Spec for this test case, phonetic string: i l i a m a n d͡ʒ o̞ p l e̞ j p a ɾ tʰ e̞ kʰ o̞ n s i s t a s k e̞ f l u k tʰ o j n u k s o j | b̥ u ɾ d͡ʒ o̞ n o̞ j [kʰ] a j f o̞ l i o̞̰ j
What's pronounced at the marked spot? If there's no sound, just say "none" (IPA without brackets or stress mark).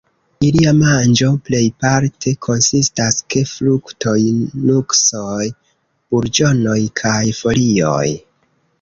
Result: kʰ